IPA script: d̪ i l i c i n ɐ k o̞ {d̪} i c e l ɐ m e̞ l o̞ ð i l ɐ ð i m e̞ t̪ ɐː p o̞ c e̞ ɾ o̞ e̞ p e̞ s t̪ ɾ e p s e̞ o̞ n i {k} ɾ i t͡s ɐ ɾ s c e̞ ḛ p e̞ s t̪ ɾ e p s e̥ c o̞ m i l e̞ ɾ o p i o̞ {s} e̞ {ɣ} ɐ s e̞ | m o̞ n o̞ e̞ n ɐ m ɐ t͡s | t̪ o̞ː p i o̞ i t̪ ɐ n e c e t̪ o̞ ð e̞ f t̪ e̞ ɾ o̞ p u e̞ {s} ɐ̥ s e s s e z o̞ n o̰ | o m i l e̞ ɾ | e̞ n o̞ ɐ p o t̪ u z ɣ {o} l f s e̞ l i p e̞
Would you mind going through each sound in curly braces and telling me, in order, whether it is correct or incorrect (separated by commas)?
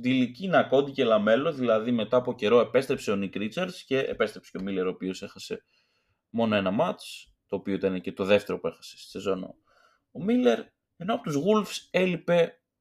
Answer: correct, correct, correct, incorrect, incorrect, incorrect